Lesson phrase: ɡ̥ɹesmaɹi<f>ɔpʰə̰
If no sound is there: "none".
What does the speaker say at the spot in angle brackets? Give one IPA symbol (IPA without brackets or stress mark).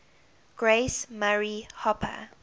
h